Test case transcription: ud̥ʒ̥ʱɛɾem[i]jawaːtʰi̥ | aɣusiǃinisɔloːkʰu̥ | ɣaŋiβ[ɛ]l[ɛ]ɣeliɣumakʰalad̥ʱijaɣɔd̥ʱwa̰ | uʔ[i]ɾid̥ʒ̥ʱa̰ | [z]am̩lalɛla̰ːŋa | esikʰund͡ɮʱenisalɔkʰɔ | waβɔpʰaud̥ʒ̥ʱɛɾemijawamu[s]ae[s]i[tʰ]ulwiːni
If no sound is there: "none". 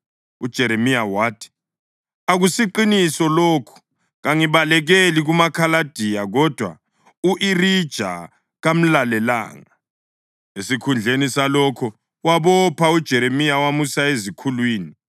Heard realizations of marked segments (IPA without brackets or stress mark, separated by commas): i, a, ɛ, i, ɣ, s, z, kʰ